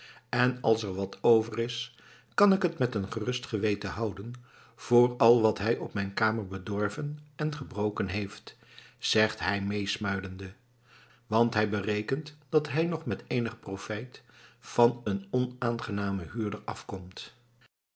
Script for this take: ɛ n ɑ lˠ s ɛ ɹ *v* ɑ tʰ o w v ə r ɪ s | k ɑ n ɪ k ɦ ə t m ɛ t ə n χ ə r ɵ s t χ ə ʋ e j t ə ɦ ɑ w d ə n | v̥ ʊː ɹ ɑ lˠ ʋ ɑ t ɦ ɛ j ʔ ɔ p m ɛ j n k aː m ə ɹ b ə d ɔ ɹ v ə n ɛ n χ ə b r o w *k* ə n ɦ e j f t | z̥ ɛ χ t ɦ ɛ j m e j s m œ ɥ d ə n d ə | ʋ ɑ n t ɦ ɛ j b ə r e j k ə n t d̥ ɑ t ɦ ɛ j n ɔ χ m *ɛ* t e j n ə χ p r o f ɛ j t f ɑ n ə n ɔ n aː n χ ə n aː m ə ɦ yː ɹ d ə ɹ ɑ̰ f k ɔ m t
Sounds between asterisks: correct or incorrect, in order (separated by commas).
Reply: incorrect, correct, correct